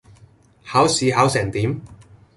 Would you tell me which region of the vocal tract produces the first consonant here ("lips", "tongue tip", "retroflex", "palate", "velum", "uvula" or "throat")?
throat